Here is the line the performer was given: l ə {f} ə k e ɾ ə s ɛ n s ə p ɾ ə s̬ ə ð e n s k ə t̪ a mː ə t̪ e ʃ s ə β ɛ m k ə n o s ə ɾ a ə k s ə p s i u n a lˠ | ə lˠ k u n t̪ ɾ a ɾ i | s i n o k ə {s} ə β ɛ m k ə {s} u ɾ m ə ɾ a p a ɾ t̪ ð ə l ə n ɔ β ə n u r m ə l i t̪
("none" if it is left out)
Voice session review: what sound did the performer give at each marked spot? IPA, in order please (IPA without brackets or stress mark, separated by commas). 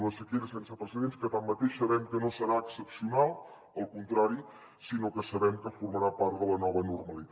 s, s, f